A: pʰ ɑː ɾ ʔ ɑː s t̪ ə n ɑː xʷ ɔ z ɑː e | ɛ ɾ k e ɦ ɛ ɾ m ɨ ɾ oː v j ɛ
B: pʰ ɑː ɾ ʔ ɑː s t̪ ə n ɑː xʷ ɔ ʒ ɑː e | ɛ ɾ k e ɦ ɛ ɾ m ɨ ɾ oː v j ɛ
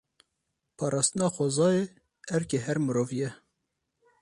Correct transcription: A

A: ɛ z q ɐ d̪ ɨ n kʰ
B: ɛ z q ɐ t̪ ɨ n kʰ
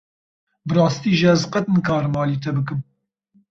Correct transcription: B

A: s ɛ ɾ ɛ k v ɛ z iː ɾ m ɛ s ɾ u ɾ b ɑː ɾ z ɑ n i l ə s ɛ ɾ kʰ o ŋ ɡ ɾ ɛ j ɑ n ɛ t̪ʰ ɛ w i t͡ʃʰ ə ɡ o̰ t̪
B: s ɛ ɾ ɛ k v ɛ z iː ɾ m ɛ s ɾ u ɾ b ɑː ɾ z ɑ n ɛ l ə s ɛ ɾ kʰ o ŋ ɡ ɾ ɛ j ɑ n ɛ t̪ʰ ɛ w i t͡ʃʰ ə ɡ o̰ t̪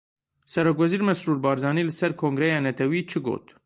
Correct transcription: A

